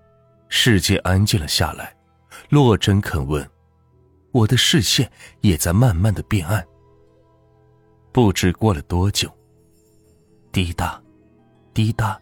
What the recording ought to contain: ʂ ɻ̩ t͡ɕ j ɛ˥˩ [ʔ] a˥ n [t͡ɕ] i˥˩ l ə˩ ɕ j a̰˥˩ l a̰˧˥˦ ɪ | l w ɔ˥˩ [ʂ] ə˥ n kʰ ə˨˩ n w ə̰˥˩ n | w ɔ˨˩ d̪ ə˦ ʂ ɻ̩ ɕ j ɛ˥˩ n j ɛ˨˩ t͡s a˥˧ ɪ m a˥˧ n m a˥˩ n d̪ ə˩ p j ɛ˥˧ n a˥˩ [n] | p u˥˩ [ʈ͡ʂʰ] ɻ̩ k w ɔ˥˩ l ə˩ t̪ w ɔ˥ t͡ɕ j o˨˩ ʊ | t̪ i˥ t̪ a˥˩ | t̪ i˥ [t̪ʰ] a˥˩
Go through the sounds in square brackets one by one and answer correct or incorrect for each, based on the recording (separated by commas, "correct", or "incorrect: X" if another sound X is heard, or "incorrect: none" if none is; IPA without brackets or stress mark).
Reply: correct, correct, incorrect: ʈ͡ʂ, correct, incorrect: ʈ͡ʂ, incorrect: t̪